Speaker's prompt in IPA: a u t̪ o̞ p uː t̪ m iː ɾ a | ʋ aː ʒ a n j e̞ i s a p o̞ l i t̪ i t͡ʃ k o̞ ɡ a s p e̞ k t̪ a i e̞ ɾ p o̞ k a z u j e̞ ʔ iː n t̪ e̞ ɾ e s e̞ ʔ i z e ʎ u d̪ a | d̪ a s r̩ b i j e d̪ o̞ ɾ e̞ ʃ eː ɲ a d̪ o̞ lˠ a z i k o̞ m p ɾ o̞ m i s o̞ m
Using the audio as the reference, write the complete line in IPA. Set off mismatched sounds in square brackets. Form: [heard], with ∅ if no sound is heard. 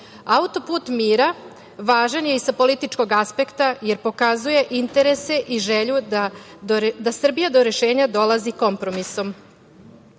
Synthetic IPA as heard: a u t̪ o̞ p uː t̪ m iː ɾ a | ʋ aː ʒ a n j e̞ i s a p o̞ l i t̪ i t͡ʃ k o̞ ɡ a s p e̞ k t̪ a [j] e̞ ɾ p o̞ k a z u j e̞ ʔ [i] n t̪ e̞ ɾ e s e̞ ʔ i [ʒ] e ʎ u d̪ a | d̪ a s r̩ b i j [a] d̪ o̞ ɾ e̞ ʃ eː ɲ a d̪ o̞ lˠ a z i k o̞ m p ɾ o̞ m i s o̞ m

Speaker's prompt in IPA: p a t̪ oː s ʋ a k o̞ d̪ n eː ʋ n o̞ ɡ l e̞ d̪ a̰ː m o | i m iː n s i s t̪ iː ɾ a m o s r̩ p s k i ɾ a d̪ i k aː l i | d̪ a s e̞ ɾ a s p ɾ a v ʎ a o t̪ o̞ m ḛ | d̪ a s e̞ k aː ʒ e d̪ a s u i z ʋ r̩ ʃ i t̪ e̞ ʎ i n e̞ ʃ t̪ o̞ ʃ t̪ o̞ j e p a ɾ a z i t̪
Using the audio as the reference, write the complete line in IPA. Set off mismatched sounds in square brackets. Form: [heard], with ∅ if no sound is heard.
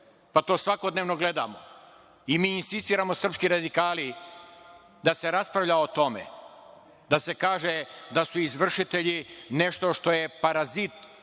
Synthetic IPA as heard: p a t̪ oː s ʋ a k o̞ d̪ n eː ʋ n o̞ ɡ l e̞ d̪ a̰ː m o | i m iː n s i s t̪ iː ɾ a m o s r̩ p s k i ɾ a d̪ i k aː l i | d̪ a s e̞ ɾ a s p ɾ a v ʎ a o t̪ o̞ m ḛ | d̪ a s e̞ k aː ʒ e d̪ a s u i z ʋ r̩ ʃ i t̪ e̞ ʎ i n e̞ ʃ t̪ o̞ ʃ t̪ o̞ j e p a ɾ a z i t̪

